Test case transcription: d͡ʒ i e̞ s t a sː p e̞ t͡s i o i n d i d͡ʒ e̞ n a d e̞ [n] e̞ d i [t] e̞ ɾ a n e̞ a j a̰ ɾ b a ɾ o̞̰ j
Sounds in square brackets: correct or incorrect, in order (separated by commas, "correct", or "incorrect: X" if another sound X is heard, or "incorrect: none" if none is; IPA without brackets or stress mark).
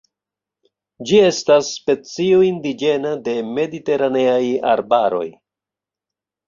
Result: incorrect: m, correct